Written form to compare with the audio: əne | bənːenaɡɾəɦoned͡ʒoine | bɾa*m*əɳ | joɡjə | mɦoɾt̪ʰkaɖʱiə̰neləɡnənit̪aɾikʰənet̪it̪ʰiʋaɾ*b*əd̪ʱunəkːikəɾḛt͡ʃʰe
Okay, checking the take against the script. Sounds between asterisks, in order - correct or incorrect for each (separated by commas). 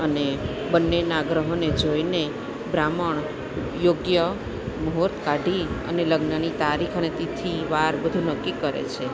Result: correct, correct